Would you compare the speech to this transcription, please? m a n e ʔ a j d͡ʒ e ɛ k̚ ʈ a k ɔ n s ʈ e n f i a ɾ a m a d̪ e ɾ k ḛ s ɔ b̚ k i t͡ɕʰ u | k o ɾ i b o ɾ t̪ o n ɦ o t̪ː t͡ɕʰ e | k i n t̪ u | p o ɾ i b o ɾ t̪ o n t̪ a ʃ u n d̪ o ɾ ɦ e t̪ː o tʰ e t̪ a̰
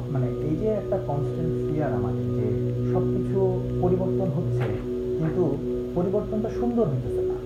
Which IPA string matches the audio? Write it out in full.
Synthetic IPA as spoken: m a n e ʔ e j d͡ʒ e ɛ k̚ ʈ a k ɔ n s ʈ e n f i a ɾ a m a d̪ e ɾ k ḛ ʃ ɔ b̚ k i t͡ɕʰ u | p o ɾ i b o ɾ t̪ o n ɦ o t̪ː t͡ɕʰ e | k i n t̪ u | p o ɾ i b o ɾ t̪ o n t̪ a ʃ u n d̪ o ɾ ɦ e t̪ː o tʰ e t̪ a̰